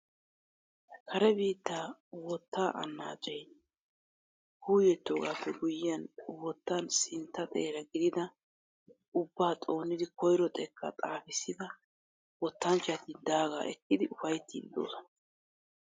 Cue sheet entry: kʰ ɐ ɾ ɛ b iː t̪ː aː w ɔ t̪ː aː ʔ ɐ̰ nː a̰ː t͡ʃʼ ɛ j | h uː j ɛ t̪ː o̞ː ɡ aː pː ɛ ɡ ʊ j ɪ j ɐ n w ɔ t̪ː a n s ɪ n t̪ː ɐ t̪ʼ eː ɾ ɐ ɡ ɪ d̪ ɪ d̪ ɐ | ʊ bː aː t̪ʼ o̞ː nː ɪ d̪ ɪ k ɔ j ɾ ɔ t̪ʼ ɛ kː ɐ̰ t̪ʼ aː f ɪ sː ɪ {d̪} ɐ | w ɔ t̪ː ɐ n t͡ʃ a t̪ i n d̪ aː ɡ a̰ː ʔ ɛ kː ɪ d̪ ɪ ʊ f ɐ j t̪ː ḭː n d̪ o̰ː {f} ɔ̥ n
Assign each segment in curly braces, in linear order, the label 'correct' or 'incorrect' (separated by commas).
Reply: correct, incorrect